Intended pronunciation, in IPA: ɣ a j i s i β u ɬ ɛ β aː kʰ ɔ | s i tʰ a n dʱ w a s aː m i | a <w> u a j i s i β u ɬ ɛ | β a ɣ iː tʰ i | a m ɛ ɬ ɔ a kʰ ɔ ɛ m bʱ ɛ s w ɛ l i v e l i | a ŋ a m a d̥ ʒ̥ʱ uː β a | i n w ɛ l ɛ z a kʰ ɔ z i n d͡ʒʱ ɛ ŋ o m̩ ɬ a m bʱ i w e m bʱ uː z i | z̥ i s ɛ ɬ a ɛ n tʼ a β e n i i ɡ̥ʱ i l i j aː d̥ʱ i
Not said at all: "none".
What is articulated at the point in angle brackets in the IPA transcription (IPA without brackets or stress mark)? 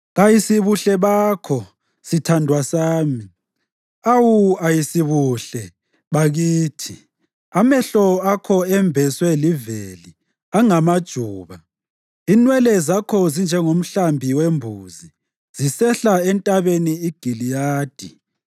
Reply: w